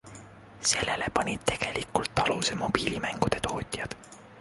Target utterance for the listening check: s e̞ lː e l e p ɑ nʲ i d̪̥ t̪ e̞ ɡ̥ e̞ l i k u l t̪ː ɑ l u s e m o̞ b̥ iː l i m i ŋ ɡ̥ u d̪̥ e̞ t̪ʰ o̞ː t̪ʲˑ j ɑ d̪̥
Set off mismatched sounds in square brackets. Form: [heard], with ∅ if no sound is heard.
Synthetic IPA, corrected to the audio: s e̞ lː e l e p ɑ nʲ i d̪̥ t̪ e̞ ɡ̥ e̞ l i k u l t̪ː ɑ l u s e m o̞ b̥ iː l i m [æ] ŋ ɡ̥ u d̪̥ e̞ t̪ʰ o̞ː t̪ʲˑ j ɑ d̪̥